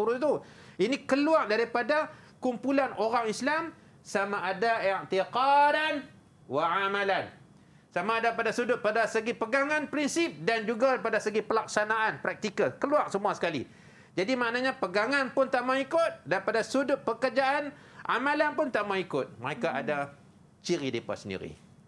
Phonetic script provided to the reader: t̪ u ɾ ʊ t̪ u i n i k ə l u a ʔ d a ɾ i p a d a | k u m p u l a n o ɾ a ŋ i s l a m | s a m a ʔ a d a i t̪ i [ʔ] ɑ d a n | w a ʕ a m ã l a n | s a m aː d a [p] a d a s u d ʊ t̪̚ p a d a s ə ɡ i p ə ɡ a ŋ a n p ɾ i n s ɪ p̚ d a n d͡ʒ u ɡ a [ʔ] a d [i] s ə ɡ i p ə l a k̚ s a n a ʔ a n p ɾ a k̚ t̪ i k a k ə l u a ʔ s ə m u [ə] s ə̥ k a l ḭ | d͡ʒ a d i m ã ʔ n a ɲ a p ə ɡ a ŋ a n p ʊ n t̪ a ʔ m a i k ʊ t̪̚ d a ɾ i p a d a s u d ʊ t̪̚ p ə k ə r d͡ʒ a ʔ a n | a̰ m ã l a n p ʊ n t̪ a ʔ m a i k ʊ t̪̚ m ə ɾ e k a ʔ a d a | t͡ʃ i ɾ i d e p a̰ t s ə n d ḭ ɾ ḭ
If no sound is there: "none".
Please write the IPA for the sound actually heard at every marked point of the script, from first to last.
q, p, p, a, a

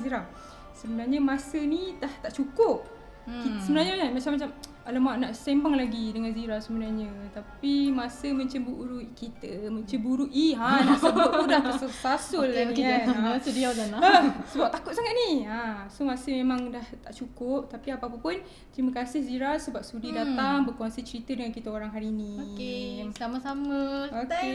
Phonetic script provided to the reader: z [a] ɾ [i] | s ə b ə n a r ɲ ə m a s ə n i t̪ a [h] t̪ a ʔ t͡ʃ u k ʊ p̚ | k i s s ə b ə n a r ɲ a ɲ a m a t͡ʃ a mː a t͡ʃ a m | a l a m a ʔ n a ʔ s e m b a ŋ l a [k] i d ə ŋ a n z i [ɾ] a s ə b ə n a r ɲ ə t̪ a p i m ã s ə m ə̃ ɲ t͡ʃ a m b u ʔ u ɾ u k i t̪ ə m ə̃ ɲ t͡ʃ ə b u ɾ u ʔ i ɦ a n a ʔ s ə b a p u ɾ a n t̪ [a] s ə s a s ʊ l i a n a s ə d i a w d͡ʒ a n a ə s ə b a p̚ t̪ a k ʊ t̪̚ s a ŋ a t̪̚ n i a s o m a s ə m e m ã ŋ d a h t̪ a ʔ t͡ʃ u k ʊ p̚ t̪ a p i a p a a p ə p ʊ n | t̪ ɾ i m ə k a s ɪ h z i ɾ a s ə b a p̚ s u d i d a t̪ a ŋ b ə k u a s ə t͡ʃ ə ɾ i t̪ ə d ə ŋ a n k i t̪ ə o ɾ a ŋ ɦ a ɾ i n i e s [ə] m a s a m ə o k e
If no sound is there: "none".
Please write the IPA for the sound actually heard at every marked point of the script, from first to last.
i, a, h, ɡ, ɾ, a, a

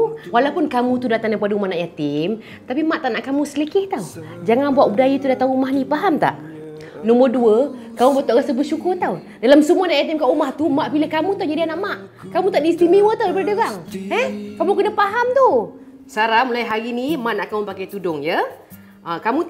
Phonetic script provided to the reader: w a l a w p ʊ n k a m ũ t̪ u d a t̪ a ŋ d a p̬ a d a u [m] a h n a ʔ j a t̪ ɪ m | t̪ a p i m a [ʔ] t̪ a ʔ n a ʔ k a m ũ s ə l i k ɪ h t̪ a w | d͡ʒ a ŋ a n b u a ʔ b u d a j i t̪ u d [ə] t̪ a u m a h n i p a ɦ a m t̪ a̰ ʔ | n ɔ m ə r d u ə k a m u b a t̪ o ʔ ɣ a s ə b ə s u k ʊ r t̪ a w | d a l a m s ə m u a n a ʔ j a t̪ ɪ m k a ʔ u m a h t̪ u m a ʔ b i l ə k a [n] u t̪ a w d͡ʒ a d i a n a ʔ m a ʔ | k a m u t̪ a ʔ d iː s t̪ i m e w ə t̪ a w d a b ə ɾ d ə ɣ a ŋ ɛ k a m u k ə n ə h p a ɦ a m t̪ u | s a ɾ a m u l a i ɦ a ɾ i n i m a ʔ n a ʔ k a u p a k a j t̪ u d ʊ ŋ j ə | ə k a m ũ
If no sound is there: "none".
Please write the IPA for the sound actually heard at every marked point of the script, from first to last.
m, ʔ, a, m

